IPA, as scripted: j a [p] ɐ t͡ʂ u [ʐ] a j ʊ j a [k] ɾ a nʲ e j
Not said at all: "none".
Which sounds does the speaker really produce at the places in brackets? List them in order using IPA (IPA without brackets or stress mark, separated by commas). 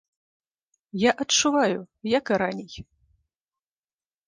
ʔ, v, k